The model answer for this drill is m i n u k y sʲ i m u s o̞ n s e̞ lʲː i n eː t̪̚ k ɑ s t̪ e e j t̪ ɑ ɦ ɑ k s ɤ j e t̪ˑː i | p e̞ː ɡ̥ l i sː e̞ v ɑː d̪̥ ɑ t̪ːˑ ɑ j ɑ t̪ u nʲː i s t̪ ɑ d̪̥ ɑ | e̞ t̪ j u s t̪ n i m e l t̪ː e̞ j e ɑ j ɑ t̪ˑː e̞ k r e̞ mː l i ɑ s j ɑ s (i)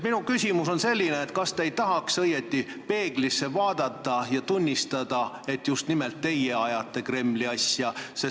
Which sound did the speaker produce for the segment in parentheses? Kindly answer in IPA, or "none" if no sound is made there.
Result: e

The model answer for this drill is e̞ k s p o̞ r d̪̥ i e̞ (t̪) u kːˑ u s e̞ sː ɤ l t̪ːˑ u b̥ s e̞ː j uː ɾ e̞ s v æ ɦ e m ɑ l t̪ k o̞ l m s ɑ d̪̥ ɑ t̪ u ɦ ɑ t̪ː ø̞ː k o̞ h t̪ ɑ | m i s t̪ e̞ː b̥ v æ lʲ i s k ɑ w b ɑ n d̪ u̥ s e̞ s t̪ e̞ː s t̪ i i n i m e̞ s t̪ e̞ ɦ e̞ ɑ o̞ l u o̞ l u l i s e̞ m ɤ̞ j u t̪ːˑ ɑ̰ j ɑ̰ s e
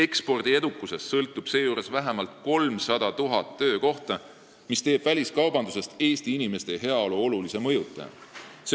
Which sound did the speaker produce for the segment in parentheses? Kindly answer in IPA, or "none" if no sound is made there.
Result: d̪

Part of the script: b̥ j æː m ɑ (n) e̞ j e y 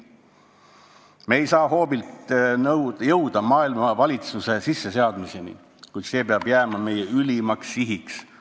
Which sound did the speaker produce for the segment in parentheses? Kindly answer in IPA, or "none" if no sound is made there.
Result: m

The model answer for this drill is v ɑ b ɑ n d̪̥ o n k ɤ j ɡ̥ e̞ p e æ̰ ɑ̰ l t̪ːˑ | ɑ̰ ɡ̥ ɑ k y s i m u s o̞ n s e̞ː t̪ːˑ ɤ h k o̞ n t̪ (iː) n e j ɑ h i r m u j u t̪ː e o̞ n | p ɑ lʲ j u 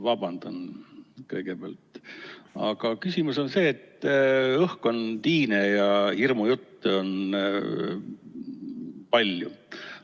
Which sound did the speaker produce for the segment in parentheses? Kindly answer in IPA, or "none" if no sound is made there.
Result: iː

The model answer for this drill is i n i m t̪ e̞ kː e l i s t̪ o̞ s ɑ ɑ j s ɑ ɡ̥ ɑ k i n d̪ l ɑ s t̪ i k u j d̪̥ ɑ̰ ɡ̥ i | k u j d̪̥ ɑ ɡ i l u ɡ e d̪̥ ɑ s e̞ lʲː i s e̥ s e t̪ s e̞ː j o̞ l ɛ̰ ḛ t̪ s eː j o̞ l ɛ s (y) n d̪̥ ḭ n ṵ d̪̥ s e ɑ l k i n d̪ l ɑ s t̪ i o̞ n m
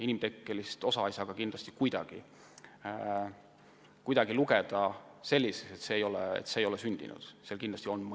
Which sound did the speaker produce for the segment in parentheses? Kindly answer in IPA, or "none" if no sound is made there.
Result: y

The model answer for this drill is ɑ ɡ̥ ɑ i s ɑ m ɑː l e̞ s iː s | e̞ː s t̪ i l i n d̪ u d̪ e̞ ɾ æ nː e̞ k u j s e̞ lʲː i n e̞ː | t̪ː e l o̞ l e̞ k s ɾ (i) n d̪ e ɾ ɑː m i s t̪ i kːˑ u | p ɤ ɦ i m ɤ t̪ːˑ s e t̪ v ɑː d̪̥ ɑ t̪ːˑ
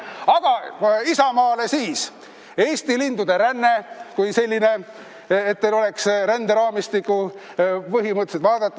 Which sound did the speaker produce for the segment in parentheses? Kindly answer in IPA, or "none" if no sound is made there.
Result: æ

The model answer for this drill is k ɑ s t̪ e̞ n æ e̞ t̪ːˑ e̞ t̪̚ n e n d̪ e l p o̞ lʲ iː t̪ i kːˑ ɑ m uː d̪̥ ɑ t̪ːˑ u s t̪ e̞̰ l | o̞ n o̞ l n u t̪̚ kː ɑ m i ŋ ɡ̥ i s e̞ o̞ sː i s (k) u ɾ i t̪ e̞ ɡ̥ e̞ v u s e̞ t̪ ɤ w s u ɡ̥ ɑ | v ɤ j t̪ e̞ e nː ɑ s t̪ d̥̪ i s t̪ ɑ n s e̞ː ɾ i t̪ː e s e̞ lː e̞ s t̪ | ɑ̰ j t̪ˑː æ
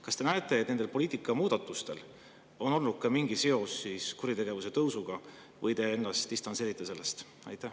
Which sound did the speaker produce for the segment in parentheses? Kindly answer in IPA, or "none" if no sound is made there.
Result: k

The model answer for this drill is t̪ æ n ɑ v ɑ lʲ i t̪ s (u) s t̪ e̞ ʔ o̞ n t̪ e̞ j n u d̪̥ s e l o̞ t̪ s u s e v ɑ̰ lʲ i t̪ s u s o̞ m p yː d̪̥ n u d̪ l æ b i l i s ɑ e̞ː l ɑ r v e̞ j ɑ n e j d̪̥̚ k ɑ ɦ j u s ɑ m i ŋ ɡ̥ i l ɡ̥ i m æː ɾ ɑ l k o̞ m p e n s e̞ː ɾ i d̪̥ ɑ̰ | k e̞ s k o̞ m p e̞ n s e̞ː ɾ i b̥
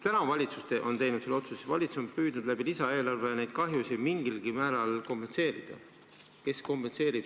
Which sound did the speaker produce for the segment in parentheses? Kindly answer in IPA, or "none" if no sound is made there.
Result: u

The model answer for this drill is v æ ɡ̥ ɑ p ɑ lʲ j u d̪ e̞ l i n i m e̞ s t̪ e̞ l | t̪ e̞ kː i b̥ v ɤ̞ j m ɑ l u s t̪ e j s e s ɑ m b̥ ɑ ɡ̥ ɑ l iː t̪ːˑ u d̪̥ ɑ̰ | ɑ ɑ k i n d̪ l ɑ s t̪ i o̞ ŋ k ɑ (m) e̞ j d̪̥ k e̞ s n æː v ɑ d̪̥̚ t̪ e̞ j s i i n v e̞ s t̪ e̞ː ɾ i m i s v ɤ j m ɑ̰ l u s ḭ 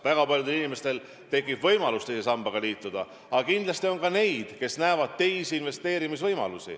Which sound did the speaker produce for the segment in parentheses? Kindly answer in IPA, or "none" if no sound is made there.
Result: n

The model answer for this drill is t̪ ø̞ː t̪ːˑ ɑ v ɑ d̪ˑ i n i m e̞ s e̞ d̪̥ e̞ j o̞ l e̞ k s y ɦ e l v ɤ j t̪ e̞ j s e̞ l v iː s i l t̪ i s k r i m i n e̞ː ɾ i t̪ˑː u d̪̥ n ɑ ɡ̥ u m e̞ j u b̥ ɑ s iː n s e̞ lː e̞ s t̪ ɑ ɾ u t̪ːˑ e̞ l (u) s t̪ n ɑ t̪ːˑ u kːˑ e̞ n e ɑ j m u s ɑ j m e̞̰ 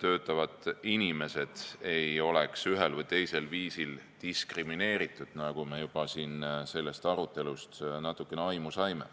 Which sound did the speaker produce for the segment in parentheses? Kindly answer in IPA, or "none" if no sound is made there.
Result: u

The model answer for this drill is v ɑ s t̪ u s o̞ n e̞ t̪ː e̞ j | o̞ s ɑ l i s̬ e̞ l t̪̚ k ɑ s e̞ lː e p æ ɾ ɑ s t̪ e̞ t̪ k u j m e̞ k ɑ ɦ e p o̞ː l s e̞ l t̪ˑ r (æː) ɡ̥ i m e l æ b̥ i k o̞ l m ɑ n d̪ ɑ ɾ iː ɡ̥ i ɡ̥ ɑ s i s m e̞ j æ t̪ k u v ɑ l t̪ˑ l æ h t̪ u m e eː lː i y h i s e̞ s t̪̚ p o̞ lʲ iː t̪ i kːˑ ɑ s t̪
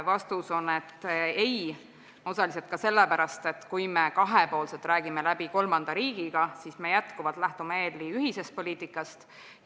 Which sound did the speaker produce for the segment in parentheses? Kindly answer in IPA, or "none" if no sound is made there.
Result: æː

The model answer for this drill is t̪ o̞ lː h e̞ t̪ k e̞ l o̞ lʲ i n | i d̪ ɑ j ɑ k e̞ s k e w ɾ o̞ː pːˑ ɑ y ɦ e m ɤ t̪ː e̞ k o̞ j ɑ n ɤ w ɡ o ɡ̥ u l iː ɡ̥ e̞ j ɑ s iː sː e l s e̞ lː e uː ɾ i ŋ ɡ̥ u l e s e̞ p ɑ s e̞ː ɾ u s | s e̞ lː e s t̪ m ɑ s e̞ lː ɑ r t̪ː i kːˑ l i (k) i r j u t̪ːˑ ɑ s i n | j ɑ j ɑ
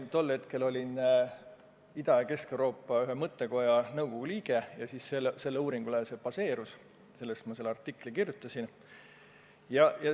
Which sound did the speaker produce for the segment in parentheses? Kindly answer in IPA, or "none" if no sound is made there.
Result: k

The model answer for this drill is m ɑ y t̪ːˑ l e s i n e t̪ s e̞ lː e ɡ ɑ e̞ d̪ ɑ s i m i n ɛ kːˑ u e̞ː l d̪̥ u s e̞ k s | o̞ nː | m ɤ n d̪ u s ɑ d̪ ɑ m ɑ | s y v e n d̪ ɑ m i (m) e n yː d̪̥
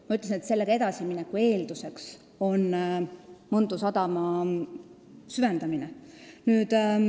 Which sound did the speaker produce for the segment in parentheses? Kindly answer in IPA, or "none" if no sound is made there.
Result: n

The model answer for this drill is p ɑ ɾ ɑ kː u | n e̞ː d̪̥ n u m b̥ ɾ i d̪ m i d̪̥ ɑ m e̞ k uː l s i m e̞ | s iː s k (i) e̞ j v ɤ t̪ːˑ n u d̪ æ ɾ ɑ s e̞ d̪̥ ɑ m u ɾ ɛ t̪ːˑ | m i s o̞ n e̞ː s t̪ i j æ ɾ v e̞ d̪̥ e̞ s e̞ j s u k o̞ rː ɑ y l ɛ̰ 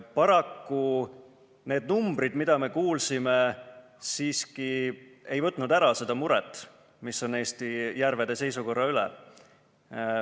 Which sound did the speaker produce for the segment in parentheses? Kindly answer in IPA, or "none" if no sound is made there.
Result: i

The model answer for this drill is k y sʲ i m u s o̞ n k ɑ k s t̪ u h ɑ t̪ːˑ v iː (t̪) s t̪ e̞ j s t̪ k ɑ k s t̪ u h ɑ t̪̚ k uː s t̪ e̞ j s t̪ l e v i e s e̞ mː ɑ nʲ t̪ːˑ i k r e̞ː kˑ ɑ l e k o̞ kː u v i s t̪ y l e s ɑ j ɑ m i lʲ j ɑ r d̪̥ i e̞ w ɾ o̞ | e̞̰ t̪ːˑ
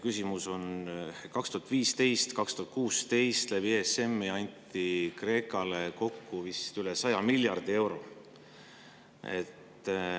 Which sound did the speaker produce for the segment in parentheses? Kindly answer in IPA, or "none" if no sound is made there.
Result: none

